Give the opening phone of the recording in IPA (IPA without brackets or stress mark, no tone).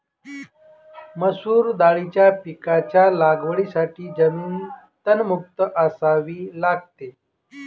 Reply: m